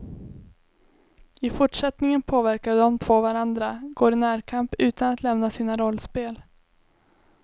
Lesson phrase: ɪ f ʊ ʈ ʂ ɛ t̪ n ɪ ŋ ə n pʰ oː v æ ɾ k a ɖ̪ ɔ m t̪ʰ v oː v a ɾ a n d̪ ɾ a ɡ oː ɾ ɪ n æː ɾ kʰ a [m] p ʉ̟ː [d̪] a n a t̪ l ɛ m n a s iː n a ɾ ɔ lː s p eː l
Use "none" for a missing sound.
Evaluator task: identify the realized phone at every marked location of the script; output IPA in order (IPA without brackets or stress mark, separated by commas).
m, t̪